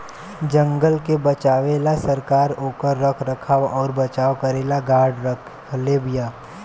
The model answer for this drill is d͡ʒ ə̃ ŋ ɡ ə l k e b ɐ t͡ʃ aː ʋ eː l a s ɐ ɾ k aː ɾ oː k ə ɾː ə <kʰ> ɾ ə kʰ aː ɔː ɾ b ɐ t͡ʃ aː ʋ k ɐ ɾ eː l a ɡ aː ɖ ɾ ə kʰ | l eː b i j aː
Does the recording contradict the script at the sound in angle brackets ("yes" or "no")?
no